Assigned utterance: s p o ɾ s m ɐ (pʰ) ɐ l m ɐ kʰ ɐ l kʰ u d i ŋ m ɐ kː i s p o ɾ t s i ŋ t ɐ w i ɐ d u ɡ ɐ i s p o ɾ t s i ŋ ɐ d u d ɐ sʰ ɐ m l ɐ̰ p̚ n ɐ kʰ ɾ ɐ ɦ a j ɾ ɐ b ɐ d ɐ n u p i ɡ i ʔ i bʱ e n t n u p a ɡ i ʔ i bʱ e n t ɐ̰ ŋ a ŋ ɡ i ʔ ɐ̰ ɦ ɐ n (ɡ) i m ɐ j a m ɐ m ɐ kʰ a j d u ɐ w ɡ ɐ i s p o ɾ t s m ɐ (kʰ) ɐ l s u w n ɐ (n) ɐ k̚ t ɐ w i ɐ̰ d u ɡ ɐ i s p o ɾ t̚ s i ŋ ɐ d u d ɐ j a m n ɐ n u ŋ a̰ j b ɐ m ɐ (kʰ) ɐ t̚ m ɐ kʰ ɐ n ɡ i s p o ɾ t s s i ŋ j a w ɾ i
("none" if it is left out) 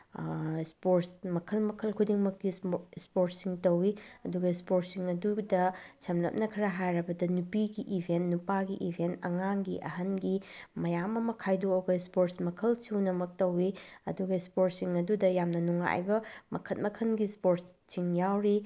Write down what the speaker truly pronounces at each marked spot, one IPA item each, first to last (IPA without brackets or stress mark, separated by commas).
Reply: kʰ, ɡ, kʰ, m, kʰ